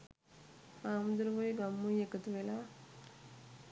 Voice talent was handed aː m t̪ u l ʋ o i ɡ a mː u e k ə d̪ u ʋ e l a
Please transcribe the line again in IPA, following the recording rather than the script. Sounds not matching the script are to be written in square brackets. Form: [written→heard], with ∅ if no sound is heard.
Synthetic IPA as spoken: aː m [t̪→d̪] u [l→ɾ] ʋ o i ɡ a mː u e k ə [d̪→t̪] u ʋ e l a

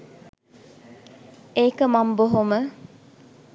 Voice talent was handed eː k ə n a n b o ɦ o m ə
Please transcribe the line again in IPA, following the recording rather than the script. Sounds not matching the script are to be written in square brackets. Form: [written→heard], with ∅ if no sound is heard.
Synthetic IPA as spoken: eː k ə [n→m] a [n→m] b o ɦ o m ə

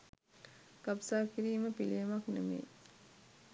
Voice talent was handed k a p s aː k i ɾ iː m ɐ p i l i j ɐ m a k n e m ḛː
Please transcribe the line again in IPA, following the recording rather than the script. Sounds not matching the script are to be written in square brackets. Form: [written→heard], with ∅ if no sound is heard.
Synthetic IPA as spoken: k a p s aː k i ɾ iː m [ɐ→ə] p i l i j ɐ m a k n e m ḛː

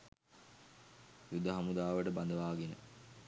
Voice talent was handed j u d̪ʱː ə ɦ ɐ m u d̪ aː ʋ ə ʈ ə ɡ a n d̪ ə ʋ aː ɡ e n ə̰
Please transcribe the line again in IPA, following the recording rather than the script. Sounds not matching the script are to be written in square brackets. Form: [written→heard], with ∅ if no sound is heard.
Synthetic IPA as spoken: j u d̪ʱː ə ɦ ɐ m u d̪ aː ʋ ə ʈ ə [ɡ→b] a n d̪ ə ʋ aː ɡ e n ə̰

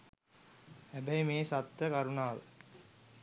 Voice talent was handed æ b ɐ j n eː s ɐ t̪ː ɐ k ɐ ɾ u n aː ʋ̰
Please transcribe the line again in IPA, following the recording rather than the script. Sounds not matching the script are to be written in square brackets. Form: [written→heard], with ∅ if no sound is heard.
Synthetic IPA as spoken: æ b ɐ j [n→m] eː s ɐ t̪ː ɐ k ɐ ɾ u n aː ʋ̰

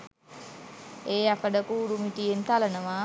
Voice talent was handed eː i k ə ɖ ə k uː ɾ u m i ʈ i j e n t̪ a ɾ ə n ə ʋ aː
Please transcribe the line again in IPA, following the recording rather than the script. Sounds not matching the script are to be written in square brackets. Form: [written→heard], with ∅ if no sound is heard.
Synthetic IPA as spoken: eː [i→a] k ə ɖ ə k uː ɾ u m i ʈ i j e n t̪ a [ɾ→l] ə n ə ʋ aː

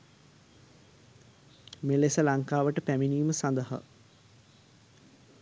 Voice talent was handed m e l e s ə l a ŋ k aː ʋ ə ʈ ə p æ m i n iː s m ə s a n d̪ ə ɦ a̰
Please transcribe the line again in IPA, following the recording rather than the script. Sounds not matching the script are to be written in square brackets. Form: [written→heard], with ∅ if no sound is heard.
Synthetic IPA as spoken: m e l e s ə l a ŋ k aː ʋ ə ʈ ə p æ m i n iː [s→∅] m ə s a n d̪ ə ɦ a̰

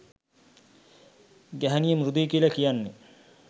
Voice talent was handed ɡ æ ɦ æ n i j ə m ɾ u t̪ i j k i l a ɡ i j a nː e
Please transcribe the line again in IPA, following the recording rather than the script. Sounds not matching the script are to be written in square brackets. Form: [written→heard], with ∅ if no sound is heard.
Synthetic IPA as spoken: ɡ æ ɦ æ n i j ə m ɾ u [t̪→d̪] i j k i l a [ɡ→k] i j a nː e

